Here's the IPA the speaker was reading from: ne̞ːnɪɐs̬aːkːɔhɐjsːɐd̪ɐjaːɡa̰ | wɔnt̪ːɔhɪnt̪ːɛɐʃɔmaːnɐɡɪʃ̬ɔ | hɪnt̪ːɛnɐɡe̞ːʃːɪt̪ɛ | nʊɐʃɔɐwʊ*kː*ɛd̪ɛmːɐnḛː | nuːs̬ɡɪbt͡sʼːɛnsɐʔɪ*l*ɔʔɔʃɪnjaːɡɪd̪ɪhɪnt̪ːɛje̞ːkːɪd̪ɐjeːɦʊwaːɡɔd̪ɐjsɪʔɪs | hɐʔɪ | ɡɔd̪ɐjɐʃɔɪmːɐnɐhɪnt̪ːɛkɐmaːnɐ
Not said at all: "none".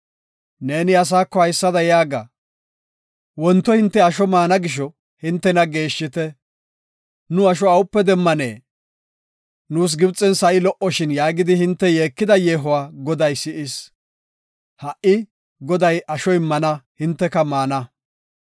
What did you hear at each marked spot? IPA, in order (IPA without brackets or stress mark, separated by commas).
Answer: pː, l